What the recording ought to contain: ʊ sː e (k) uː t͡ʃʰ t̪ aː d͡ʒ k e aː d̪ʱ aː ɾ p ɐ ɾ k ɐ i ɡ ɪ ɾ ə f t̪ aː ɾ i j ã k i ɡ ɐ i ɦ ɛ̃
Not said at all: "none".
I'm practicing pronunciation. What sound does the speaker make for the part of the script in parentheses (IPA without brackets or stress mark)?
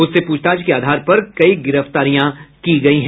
p